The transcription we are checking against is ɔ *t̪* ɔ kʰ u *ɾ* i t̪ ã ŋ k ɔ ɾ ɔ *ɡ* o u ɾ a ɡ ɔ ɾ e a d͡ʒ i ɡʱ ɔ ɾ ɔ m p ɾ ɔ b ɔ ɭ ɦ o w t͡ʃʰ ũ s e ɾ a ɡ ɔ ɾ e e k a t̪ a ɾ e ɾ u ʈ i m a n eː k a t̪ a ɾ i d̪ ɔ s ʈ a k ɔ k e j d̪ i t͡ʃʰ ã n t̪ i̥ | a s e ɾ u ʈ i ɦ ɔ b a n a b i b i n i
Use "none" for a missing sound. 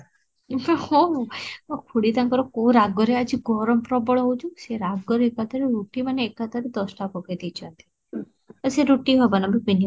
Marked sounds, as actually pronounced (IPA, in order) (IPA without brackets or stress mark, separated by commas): none, ɽ, k